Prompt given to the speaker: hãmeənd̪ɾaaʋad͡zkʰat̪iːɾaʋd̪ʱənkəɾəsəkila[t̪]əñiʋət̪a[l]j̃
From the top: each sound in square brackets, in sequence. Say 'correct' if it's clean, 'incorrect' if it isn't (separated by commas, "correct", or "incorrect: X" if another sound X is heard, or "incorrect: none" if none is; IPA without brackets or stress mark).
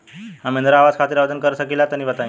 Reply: correct, incorrect: none